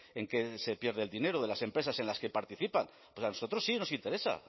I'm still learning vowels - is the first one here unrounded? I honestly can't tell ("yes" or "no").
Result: yes